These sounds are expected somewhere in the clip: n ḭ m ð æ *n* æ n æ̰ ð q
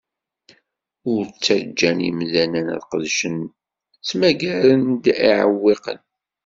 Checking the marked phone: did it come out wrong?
no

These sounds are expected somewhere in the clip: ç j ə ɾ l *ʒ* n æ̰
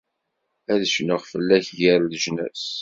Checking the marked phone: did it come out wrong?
no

